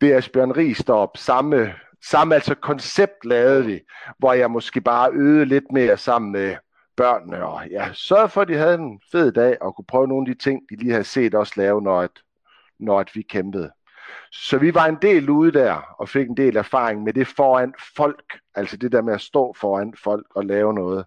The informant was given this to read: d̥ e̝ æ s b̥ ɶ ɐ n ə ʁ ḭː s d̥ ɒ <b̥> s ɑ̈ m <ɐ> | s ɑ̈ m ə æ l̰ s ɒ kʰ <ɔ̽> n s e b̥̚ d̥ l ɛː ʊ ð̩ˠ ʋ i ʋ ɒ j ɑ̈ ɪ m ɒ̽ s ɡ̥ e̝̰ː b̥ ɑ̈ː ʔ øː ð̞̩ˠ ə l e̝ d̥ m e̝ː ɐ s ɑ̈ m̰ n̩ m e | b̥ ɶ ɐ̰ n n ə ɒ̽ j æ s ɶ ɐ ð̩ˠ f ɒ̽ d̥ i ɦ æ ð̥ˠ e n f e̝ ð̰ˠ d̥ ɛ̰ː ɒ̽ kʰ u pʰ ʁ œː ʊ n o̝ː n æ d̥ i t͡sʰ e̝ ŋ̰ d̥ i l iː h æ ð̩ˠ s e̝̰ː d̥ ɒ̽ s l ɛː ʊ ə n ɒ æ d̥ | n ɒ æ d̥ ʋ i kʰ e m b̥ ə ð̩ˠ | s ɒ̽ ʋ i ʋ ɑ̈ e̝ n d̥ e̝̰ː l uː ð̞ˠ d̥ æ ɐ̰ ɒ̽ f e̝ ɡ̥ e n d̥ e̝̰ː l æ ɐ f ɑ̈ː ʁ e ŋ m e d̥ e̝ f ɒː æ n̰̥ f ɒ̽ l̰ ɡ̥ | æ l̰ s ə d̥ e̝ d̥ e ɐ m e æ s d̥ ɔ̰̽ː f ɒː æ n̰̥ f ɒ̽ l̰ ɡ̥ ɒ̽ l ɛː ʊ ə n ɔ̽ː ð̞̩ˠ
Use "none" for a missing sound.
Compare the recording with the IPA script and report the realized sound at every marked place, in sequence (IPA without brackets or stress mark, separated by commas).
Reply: b̥, ə, ɒ̽